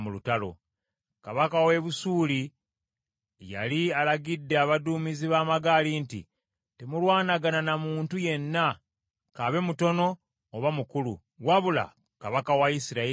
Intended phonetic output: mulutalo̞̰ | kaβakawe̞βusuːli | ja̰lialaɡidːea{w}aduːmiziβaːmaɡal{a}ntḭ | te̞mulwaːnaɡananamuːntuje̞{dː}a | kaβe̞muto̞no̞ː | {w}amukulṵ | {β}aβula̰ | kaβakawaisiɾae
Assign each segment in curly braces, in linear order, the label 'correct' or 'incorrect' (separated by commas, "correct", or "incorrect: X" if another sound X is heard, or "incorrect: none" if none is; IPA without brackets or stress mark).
incorrect: β, incorrect: i, incorrect: nː, incorrect: β, incorrect: w